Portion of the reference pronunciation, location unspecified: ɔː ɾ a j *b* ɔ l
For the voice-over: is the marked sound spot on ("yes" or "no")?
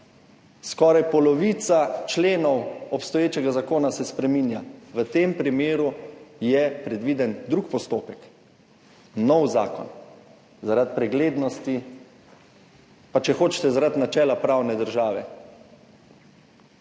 no